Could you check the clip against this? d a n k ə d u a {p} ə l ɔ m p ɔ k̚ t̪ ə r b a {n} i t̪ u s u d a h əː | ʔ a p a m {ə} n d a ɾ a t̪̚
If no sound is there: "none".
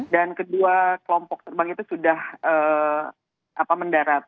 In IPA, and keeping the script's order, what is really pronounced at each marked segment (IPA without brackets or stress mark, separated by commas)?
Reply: k, ŋ, ə